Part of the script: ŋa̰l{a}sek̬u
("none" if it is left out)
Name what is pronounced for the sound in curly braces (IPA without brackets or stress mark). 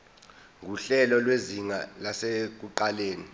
a